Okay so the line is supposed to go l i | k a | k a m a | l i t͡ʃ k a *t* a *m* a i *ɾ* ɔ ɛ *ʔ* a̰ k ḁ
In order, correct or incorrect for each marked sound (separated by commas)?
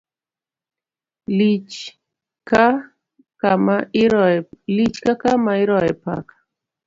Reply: incorrect, correct, correct, incorrect